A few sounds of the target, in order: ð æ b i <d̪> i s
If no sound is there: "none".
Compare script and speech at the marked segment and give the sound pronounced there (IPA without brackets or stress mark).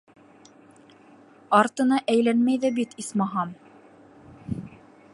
t̪